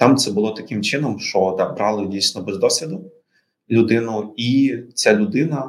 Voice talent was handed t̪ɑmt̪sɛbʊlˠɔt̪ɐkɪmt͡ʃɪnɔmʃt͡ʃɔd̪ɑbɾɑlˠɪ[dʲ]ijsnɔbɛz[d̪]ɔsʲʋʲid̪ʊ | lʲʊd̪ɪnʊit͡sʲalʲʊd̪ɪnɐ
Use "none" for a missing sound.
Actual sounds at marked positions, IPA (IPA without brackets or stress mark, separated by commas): dʲ, d̪